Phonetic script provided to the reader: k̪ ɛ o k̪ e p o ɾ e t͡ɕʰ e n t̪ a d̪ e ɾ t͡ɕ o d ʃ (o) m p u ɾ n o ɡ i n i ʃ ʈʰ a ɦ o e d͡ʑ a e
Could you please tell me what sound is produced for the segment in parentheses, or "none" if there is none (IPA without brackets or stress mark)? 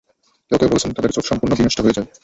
ɔ